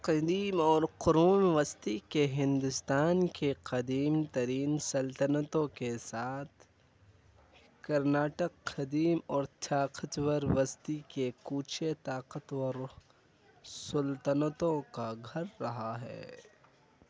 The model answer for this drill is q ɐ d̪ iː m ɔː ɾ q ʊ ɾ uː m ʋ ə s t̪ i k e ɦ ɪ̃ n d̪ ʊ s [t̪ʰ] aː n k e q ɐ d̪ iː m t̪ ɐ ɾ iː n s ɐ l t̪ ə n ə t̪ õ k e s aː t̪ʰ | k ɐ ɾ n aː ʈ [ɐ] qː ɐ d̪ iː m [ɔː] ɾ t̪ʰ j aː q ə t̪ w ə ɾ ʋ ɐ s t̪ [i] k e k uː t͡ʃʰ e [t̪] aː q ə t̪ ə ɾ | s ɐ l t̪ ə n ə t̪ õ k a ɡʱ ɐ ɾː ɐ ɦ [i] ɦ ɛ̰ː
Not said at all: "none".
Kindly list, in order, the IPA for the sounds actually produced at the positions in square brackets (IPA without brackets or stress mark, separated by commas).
t̪, ə, ɔː, i, t̪, a